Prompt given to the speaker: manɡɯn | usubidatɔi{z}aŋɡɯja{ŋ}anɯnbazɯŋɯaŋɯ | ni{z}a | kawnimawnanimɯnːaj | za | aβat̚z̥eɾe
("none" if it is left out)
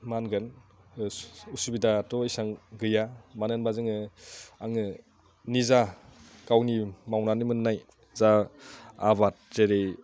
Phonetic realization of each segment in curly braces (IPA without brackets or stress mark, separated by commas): s, m, z